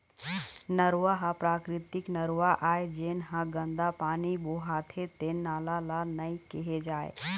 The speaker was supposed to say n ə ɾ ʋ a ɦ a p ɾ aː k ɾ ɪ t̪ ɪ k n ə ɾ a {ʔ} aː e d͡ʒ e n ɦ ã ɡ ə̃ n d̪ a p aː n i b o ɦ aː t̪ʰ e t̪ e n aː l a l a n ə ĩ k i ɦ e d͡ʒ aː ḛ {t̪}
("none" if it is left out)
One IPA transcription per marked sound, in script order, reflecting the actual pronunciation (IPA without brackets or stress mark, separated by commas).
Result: ʔ, none